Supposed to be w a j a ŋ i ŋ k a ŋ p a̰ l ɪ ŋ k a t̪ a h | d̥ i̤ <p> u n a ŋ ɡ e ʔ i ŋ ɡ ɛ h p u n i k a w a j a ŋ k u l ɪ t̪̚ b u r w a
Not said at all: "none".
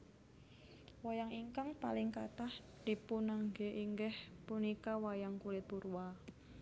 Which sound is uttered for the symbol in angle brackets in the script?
p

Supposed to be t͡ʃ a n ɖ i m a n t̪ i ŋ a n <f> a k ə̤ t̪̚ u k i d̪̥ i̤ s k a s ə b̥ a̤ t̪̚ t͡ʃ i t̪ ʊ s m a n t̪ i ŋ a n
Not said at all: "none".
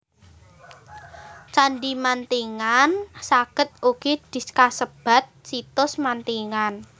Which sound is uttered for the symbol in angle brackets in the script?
s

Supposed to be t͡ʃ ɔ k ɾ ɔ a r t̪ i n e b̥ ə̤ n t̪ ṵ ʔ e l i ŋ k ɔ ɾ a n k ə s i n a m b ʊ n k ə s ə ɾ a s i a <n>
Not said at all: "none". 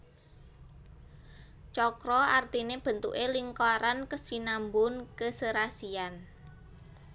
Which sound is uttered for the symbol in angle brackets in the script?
n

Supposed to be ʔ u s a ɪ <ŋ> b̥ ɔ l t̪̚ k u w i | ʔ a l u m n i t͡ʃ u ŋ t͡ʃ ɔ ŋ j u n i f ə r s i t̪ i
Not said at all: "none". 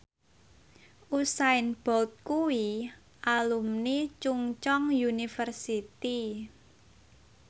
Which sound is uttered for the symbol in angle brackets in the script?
n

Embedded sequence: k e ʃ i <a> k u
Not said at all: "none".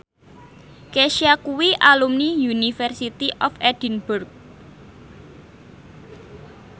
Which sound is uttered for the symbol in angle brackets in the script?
a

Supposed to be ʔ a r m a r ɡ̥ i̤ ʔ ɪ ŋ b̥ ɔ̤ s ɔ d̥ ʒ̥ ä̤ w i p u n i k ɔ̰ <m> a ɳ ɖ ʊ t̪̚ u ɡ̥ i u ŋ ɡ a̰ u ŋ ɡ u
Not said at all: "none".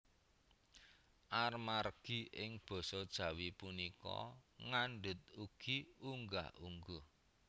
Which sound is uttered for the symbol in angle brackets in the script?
ŋ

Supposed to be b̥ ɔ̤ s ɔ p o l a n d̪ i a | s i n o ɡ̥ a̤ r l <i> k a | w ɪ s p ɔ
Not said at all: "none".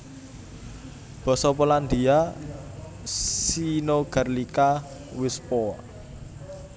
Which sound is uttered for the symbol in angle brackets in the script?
i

